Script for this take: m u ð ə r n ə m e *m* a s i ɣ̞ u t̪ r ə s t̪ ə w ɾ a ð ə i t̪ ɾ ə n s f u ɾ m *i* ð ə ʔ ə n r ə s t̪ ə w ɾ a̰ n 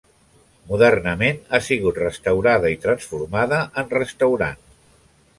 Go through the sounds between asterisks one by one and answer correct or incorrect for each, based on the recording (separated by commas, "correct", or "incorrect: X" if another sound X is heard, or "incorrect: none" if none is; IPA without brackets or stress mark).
incorrect: n, incorrect: a